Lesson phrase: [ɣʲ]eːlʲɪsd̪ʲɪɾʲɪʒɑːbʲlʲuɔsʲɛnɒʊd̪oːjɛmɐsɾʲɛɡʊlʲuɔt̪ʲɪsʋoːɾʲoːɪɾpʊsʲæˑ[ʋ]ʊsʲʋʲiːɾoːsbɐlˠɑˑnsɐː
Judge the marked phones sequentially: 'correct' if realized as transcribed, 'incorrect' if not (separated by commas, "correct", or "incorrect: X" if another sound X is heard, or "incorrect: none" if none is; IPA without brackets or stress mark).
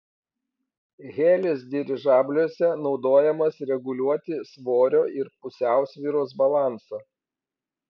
correct, incorrect: none